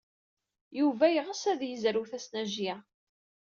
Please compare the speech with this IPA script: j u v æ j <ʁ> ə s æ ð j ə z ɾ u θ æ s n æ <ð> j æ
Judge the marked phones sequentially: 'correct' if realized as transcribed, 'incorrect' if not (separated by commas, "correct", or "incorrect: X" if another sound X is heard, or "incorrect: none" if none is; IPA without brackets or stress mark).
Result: correct, incorrect: ʒ